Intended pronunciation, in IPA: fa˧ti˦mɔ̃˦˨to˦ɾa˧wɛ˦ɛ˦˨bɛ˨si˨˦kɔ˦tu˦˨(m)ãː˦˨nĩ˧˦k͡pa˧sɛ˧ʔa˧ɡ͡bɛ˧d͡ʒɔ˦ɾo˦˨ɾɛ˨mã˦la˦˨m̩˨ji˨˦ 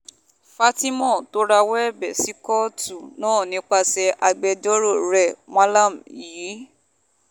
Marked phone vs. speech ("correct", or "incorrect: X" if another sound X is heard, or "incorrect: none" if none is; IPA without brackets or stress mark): incorrect: n